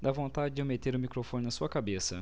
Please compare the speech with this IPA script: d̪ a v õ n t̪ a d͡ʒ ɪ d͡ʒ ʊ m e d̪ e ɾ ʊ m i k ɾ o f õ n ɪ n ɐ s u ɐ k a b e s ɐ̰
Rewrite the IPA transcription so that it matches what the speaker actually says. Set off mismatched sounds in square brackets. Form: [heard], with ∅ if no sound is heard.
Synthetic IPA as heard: d̪ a v õ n t̪ a d͡ʒ ɪ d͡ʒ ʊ m e [t̪] e ɾ ʊ m i k ɾ o f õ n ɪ n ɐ s u ɐ k a b e s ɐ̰